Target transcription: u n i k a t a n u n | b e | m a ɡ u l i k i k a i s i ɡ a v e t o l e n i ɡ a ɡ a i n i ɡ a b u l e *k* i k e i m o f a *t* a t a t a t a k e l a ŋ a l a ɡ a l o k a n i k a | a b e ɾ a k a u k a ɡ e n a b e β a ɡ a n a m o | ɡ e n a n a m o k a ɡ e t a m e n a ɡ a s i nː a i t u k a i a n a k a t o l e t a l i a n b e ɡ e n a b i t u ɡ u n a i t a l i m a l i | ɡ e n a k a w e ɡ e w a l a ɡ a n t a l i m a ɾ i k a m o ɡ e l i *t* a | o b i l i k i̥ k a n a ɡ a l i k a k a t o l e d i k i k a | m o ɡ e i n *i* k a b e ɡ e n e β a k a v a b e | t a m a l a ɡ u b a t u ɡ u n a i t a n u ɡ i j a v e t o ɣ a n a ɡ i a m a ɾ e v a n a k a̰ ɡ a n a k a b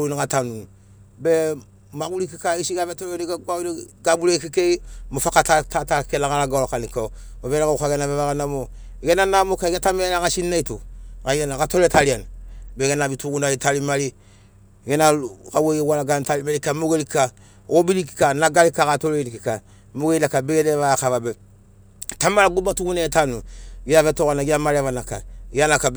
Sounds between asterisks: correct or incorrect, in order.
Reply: correct, incorrect: k, incorrect: k, incorrect: a

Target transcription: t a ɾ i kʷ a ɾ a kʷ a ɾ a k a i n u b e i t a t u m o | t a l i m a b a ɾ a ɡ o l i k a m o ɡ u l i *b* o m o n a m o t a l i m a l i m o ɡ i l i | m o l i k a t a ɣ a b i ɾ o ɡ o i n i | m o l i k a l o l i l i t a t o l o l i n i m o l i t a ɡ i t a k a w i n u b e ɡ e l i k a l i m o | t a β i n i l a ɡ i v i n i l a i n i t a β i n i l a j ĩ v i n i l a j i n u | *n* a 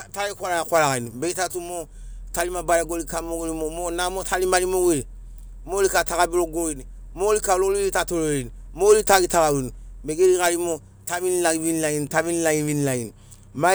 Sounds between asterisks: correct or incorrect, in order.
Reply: incorrect: m, incorrect: m

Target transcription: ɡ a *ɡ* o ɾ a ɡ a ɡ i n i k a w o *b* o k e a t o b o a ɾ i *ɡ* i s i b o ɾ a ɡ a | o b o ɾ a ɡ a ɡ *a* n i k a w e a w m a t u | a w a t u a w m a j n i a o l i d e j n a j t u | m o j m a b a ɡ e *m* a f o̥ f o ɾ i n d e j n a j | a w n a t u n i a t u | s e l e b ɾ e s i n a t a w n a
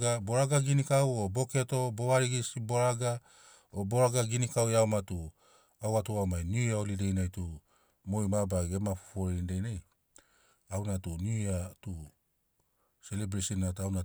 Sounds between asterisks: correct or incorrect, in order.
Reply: incorrect: b, correct, correct, incorrect: i, correct

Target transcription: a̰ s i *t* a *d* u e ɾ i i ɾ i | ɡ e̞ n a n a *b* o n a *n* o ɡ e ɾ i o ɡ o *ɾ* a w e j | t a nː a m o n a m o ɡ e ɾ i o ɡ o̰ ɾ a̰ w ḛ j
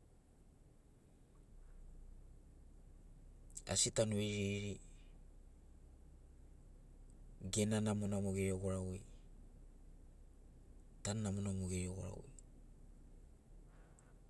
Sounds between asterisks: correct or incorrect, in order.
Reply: correct, incorrect: n, incorrect: m, incorrect: m, correct

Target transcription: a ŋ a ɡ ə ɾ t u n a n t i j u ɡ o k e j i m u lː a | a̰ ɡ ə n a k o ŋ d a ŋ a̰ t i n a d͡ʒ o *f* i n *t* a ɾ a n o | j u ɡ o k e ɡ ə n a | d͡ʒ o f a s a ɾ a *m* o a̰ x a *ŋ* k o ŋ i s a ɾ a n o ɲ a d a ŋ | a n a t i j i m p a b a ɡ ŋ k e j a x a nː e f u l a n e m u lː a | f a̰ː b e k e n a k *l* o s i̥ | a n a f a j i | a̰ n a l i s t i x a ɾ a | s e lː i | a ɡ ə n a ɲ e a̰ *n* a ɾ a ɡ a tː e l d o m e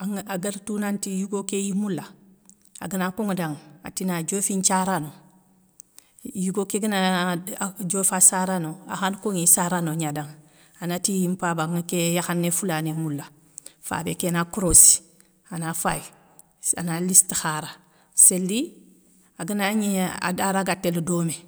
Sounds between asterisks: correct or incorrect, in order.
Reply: correct, incorrect: t͡ʃ, incorrect: n, incorrect: n, incorrect: ɾ, incorrect: d

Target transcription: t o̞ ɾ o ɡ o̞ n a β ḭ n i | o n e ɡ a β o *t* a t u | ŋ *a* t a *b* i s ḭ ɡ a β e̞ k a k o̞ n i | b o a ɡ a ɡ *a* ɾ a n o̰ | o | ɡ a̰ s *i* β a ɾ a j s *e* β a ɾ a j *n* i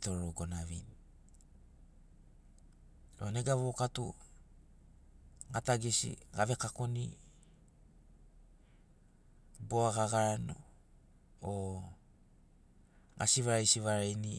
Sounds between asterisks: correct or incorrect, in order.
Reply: incorrect: k, correct, incorrect: ɡ, correct, correct, incorrect: i, correct

